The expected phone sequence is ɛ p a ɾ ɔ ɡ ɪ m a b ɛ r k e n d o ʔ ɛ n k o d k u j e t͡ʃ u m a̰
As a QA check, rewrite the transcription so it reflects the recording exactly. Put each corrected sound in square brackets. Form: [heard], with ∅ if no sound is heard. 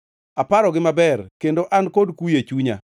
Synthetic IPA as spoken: [a] p a ɾ ɔ ɡ ɪ m a b ɛ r k e n d o ʔ [a] n k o d k u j e t͡ʃ u [ɲ] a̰

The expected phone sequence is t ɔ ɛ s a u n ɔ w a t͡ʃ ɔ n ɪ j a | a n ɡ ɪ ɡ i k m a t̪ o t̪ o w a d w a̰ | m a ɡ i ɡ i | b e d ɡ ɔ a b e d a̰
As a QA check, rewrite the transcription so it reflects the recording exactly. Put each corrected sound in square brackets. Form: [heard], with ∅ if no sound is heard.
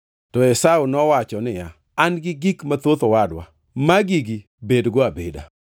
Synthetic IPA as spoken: t ɔ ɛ s a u n ɔ w a t͡ʃ ɔ n ɪ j a | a n ɡ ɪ ɡ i k m a t̪ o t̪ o w a d w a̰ | m a ɡ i ɡ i | b e d ɡ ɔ a b e d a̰

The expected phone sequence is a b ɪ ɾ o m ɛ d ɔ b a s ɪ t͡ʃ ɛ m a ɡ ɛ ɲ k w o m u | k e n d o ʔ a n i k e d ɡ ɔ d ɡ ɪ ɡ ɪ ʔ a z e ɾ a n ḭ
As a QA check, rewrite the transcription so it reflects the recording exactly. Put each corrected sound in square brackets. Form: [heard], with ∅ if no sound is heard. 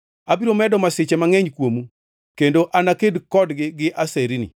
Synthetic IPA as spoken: a b [i] ɾ o m ɛ d ɔ [m] a s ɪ t͡ʃ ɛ m a [ŋ] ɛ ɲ k w o m u | k e n d o ʔ a n [a] k e d [k] ɔ d ɡ ɪ ɡ ɪ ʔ a [s] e ɾ [i] n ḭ

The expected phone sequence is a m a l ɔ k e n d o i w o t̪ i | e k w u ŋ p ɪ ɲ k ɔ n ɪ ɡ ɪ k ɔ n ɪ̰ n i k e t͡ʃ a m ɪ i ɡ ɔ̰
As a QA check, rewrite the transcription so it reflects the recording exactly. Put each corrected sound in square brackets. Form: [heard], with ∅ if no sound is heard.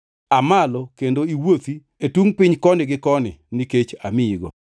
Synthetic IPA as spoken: a m a l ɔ k e n d o i w o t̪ i | e [t] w u ŋ p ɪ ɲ k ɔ n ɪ ɡ ɪ k ɔ n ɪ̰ n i k e t͡ʃ a m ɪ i ɡ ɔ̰

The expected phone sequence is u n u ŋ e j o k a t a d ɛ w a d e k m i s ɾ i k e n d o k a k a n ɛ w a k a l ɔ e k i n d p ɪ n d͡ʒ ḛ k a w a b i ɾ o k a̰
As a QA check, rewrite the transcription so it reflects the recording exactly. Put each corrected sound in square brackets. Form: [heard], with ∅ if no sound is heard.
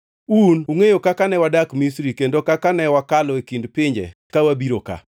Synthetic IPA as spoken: u n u ŋ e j o k a [k] a [n] ɛ w a d [a] k m i s ɾ i k e n d o k a k a n ɛ w a k a l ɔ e k i n d p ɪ [ɲ] d͡ʒ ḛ k a w a b i ɾ o k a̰

